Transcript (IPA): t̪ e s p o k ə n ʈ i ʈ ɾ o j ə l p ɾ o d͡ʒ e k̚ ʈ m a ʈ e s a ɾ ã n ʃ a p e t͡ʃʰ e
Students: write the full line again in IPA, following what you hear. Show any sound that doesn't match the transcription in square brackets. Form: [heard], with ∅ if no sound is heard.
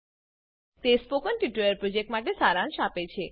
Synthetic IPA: t̪ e s p o k ə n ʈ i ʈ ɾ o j ə [ɾ] p ɾ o d͡ʒ e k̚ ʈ m a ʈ e s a ɾ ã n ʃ a p e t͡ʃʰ e